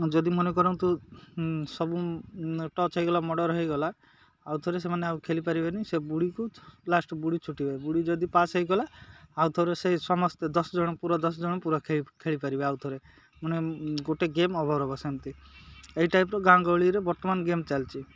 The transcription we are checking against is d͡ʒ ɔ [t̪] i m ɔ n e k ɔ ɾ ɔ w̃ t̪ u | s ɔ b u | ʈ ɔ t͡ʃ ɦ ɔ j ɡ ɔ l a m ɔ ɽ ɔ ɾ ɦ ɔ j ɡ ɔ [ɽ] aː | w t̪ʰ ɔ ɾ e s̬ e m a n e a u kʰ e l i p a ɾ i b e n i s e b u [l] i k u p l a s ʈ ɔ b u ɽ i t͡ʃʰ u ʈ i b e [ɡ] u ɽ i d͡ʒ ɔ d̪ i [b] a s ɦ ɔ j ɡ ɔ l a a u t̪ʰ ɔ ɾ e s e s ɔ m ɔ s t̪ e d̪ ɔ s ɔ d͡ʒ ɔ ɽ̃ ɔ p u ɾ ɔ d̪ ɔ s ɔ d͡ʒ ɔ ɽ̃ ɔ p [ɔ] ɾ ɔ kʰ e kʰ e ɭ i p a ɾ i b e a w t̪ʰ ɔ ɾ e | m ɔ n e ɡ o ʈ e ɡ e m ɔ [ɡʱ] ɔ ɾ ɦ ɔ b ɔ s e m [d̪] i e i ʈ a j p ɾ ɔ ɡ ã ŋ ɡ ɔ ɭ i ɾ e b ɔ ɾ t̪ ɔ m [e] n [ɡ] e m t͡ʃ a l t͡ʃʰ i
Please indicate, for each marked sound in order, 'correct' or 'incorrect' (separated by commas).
incorrect, incorrect, incorrect, incorrect, incorrect, incorrect, incorrect, incorrect, incorrect, correct